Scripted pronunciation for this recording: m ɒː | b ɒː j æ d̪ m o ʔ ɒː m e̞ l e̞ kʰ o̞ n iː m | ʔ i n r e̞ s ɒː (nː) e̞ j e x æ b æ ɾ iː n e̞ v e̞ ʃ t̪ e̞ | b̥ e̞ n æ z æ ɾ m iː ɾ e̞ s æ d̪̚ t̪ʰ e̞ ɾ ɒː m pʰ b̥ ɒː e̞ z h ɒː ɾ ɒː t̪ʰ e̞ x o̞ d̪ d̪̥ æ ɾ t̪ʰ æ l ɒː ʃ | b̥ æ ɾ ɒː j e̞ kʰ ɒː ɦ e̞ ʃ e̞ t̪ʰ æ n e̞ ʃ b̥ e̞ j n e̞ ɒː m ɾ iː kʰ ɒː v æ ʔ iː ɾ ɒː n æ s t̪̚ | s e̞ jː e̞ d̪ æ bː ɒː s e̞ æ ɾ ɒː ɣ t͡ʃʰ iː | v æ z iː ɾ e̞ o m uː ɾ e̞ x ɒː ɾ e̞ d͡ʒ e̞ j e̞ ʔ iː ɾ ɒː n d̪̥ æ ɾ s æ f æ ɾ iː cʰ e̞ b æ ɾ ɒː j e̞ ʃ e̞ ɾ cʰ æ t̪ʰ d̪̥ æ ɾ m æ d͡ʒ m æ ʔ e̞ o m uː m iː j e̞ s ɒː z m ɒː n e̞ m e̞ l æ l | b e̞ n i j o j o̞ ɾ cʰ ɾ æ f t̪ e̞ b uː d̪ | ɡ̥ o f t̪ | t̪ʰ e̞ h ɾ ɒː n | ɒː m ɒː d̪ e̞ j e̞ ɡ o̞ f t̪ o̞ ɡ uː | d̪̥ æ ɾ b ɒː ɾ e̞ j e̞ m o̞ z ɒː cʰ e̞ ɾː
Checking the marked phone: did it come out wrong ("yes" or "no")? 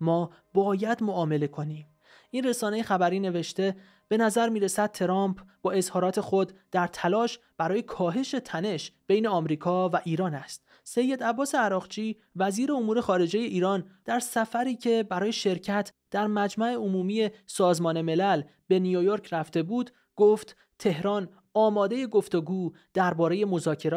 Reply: yes